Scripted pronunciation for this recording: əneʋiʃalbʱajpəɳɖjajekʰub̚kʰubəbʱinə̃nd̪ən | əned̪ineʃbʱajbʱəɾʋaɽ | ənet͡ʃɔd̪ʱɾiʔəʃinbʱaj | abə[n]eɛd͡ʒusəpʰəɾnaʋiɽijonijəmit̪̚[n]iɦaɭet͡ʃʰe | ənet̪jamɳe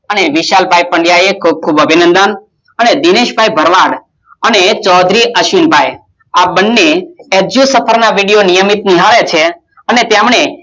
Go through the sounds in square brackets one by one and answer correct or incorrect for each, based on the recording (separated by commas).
incorrect, correct